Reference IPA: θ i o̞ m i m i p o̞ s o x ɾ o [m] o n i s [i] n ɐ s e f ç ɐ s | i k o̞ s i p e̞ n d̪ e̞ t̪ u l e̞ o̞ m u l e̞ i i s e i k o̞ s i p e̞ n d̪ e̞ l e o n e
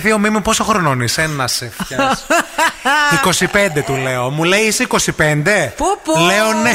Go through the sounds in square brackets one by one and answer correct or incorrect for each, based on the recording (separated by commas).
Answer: incorrect, incorrect